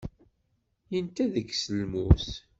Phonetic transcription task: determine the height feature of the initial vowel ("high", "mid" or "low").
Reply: mid